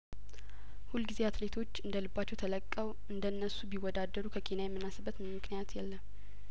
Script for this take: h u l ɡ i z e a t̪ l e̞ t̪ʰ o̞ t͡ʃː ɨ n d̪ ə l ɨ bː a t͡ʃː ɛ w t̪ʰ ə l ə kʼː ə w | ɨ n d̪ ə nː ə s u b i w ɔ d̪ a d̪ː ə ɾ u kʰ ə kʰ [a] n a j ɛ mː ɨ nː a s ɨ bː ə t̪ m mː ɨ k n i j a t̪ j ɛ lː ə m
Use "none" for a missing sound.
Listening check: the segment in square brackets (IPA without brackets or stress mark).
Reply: e